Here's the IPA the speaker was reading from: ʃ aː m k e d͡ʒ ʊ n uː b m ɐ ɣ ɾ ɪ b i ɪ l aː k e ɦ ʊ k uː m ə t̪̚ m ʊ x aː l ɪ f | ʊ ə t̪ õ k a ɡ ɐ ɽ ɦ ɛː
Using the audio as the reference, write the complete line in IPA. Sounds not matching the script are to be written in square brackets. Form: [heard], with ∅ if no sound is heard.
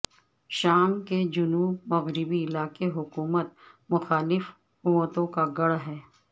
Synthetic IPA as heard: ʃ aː m k e d͡ʒ ʊ n uː b m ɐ ɣ ɾ ɪ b i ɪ l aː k e ɦ ʊ k uː m ə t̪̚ m ʊ x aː l ɪ f | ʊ ə t̪ õ k a ɡ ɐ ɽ ɦ ɛː